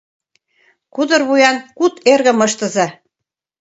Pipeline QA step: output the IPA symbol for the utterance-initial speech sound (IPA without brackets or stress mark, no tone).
k